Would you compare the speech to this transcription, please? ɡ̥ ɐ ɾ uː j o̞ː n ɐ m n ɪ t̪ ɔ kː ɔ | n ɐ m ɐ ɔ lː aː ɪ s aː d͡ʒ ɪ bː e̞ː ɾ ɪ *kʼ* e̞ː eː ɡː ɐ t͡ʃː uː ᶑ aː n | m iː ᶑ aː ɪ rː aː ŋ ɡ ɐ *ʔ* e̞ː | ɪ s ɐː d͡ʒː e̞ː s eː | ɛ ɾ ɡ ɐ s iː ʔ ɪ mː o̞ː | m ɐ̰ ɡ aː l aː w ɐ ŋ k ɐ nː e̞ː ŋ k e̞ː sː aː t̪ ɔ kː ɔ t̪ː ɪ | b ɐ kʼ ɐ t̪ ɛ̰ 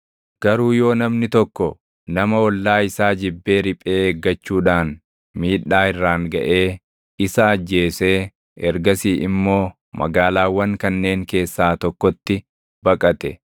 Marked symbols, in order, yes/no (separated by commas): no, yes